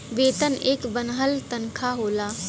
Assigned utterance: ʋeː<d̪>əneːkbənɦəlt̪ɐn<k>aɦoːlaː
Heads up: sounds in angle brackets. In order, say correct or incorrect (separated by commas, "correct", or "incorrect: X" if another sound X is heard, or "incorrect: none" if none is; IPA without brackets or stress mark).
incorrect: t̪, incorrect: kʰ